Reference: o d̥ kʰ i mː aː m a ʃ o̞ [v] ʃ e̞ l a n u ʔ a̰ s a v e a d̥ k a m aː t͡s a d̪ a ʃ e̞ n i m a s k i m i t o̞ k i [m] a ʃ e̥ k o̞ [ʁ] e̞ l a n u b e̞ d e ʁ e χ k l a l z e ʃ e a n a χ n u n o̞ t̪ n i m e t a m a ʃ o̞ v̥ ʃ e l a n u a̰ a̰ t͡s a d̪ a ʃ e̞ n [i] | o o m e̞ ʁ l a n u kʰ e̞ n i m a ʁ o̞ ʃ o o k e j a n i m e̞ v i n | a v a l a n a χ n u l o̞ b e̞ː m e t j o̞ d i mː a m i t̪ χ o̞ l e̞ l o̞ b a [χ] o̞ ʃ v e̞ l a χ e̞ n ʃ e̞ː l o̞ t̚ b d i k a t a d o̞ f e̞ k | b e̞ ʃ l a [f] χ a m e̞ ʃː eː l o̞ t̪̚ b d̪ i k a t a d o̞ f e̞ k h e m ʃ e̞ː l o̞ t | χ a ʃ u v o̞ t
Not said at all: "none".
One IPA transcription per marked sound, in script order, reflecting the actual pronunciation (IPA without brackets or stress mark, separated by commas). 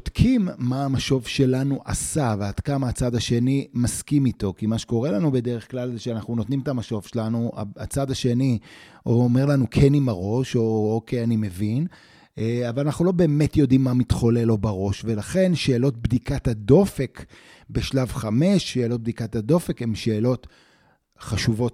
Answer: v, m, ʁ, i, ʁ, v